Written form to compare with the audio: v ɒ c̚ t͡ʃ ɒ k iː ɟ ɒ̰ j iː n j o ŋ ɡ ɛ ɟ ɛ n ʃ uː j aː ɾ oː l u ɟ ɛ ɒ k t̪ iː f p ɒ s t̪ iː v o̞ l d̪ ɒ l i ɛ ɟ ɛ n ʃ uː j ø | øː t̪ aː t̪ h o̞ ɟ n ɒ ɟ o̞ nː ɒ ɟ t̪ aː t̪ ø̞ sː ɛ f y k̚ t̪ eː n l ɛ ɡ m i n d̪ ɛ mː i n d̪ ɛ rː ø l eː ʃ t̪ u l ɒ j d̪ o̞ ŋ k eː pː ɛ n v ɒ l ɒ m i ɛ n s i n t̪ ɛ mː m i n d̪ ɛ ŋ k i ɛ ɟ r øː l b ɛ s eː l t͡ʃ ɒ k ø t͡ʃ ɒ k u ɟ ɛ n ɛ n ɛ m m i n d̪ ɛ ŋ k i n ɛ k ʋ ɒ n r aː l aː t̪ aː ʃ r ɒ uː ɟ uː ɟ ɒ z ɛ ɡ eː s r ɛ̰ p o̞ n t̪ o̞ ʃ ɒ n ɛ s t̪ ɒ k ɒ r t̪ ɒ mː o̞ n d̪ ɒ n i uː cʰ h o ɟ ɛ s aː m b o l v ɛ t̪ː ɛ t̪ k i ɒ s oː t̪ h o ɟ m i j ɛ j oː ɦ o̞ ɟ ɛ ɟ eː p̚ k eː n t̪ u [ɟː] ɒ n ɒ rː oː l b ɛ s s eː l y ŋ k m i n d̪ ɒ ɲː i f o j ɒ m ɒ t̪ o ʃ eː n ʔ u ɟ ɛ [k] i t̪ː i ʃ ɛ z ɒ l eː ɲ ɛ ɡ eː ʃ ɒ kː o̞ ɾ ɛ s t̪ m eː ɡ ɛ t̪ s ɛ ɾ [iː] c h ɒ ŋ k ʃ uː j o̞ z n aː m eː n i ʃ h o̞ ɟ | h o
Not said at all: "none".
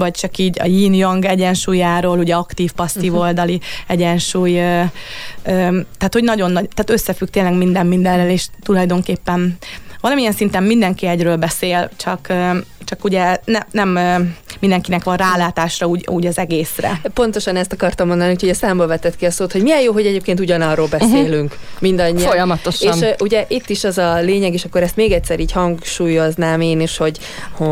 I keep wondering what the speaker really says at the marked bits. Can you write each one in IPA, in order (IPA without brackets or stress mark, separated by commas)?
ɟ, ʔ, iː